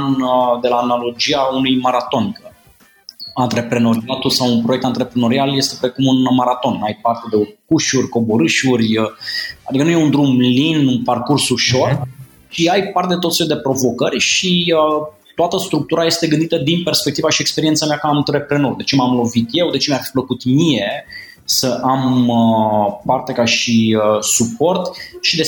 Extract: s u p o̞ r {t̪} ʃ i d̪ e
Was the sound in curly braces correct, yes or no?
yes